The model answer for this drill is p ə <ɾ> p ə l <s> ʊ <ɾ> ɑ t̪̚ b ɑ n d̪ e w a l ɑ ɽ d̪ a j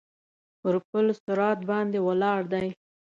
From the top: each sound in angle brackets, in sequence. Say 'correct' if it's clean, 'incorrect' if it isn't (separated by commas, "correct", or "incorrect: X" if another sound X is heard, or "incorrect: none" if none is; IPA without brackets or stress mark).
correct, correct, correct